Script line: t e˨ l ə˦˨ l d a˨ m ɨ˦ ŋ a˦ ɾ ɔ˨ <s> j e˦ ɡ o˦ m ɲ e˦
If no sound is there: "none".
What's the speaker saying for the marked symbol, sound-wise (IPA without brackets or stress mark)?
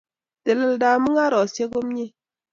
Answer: s